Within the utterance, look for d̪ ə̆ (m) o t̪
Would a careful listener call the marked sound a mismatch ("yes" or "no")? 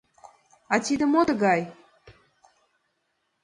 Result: no